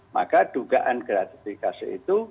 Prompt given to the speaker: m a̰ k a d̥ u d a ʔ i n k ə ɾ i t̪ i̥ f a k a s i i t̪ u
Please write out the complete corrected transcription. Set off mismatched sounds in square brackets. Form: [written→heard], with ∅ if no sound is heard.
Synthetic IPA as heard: m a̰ k a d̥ u [d→ɡ] a ʔ [i→a] n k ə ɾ [i→a] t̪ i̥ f [a→i] k a s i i t̪ u